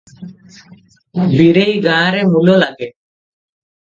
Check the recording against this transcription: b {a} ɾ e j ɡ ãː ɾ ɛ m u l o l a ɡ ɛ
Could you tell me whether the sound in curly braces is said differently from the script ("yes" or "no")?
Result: yes